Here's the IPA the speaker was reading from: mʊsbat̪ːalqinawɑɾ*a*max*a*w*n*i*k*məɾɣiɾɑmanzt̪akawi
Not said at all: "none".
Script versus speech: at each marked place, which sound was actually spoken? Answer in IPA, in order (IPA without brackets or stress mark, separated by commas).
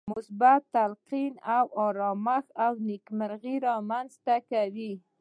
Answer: ɑ, a, n, k